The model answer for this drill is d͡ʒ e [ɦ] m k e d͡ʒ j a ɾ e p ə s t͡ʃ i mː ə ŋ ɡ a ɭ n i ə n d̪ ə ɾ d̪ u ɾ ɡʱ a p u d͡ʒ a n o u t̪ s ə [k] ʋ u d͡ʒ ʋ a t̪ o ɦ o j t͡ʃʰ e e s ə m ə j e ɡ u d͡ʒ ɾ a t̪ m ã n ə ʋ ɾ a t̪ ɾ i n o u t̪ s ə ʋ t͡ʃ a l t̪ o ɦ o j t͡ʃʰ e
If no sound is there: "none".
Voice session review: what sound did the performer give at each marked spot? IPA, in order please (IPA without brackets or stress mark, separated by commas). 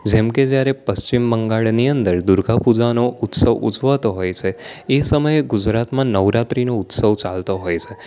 none, none